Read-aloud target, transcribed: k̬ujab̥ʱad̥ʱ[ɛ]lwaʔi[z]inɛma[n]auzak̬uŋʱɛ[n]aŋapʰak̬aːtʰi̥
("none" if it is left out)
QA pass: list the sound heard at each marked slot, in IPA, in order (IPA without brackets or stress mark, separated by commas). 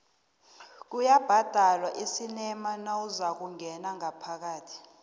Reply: a, s, n, n